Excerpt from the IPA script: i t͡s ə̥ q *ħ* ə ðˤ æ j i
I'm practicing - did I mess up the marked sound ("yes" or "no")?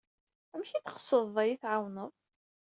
yes